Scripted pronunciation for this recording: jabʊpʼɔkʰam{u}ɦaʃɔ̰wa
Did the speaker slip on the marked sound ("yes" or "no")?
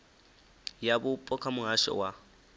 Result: yes